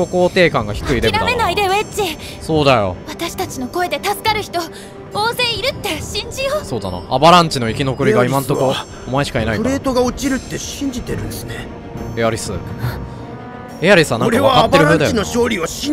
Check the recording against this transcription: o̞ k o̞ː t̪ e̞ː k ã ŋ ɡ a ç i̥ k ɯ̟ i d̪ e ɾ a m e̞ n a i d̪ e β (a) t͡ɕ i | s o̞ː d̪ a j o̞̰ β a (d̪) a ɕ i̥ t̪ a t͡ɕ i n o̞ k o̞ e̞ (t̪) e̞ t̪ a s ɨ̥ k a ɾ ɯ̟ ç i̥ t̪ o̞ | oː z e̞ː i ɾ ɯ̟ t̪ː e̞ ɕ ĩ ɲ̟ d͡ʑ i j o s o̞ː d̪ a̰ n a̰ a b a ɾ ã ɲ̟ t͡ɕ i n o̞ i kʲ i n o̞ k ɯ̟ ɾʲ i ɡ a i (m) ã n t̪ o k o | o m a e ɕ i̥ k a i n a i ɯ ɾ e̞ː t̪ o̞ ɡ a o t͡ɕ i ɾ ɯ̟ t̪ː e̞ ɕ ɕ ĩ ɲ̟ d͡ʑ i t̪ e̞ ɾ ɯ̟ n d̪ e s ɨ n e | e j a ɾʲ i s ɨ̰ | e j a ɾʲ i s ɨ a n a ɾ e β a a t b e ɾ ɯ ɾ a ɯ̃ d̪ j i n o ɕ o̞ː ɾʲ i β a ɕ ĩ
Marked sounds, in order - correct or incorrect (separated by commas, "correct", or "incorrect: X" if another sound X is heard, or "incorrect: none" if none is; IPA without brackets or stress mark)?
incorrect: e, incorrect: t̪, incorrect: d̪, correct